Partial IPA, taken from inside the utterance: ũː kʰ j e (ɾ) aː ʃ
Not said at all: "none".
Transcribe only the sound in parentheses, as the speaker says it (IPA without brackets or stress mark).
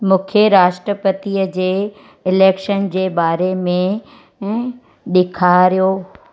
ɾ